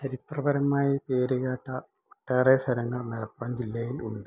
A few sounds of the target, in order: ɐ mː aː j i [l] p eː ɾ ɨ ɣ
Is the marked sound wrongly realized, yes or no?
yes